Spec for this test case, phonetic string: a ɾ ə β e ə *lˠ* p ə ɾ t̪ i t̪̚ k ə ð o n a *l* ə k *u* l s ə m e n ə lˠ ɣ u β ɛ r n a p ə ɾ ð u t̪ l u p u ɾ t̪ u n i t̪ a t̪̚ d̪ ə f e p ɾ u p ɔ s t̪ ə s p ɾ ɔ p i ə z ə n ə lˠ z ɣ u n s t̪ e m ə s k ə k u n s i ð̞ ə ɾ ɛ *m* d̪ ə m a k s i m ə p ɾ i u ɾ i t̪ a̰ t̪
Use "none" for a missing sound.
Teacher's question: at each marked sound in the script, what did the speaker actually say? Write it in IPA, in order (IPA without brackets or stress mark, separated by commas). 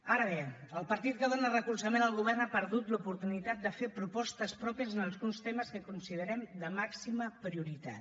lˠ, r, u, m